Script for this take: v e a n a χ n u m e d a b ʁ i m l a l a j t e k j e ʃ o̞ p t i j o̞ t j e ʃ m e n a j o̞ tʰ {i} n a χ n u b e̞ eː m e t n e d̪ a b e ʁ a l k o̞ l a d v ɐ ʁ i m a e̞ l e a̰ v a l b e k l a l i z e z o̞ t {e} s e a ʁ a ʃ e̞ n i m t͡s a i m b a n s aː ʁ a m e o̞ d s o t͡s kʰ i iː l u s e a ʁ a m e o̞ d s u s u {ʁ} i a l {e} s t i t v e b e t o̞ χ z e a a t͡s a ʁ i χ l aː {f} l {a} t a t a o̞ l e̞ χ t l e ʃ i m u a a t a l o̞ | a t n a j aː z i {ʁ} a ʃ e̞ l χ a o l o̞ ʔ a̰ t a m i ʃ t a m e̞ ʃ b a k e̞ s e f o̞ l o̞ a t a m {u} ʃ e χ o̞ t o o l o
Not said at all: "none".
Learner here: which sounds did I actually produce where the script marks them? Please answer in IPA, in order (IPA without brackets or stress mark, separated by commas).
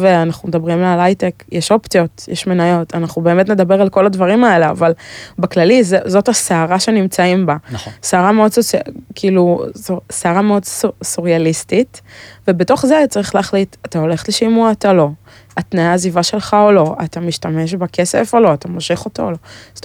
a, a, ʁ, i, χ, i, v, o